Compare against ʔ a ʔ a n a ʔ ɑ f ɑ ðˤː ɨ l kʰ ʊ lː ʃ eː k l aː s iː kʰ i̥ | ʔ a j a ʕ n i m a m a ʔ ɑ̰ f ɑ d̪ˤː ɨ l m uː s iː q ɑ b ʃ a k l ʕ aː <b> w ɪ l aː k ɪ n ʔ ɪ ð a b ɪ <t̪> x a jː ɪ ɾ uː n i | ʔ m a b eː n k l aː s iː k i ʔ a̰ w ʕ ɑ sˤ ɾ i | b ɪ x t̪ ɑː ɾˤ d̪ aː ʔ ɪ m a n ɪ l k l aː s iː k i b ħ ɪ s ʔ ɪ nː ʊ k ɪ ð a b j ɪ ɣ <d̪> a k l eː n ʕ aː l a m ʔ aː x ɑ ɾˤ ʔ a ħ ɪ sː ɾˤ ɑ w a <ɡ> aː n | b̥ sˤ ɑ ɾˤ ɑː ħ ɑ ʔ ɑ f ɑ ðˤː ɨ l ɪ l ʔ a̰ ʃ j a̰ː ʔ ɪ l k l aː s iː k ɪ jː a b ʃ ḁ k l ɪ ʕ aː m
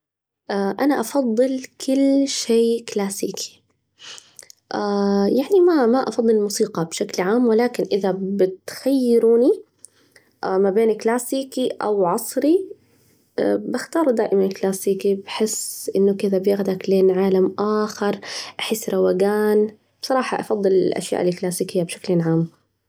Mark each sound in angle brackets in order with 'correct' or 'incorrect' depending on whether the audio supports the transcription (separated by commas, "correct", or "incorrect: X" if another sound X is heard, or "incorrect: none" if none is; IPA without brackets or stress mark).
incorrect: m, correct, correct, correct